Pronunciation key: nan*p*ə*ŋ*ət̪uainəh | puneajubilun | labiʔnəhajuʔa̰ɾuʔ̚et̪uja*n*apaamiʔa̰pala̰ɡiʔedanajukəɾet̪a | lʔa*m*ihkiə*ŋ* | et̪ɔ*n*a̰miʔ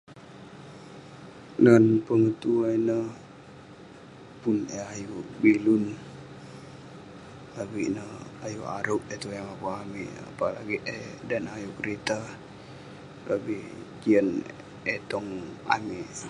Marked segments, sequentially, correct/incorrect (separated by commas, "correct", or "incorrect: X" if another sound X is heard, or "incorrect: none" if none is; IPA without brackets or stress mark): correct, correct, incorrect: ŋ, incorrect: b, incorrect: n, incorrect: ŋ